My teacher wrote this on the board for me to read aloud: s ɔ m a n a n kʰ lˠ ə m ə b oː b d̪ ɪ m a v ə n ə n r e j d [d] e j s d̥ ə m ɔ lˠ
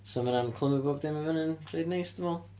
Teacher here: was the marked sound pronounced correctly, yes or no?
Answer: no